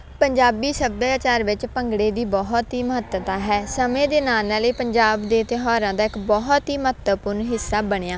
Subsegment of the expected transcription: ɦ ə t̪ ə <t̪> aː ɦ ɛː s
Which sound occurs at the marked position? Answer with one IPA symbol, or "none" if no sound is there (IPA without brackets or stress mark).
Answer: t̪